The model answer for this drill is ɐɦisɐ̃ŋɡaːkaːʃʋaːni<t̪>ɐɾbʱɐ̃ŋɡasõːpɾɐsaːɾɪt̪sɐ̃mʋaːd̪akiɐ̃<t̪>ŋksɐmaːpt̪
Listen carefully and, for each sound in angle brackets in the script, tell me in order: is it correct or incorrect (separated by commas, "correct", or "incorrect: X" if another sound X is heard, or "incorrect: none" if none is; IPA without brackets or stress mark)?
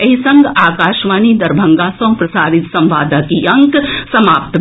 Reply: incorrect: d̪, incorrect: none